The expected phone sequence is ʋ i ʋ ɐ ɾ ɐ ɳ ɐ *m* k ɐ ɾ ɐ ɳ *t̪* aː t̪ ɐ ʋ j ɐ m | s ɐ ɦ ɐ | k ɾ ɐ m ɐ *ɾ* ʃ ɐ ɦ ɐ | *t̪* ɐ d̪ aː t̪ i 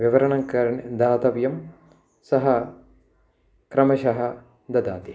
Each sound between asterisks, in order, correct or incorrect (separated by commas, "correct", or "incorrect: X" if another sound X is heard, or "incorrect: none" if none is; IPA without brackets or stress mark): incorrect: ŋ, incorrect: d̪, incorrect: none, incorrect: d̪